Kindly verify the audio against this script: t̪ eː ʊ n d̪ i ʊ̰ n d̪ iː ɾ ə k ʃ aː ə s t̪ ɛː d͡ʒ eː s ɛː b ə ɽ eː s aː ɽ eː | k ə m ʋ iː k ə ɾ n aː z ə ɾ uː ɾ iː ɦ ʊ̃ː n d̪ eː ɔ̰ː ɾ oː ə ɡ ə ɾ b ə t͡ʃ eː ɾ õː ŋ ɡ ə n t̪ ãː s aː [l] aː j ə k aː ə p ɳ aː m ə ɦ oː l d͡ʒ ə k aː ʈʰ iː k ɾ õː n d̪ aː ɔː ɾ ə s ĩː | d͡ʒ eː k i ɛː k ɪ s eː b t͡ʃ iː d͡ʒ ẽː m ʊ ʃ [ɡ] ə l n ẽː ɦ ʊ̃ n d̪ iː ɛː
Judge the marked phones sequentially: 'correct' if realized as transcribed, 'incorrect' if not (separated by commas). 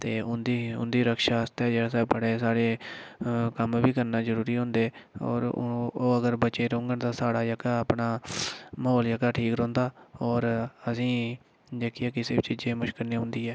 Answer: incorrect, incorrect